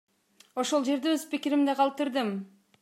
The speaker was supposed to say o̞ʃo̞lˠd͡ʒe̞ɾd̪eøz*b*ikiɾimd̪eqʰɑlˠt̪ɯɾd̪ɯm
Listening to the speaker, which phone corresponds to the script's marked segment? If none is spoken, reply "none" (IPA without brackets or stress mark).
p